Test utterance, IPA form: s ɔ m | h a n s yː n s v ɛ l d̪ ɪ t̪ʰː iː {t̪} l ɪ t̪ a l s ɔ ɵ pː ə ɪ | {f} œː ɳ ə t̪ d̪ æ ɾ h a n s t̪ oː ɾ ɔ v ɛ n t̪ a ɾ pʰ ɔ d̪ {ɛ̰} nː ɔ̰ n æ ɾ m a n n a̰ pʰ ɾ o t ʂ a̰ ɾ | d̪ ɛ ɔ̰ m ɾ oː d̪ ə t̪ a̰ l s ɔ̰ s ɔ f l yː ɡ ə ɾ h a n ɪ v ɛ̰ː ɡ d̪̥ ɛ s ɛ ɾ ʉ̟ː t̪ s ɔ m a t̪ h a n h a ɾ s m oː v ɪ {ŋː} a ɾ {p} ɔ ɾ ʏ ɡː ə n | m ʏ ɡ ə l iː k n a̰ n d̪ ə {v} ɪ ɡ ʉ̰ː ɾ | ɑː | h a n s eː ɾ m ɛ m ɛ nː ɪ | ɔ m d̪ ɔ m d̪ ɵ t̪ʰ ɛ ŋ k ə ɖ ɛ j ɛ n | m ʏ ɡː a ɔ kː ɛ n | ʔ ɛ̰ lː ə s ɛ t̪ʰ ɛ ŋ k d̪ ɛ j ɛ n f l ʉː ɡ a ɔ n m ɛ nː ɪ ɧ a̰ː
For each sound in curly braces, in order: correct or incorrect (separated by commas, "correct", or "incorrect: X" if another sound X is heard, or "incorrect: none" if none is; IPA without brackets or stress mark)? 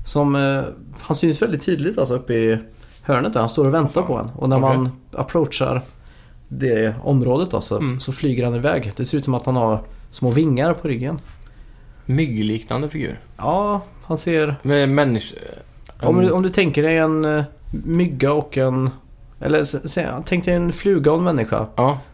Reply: incorrect: d̪, incorrect: h, correct, correct, incorrect: pʰ, incorrect: f